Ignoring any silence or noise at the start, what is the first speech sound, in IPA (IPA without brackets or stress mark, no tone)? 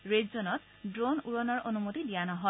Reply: ɹ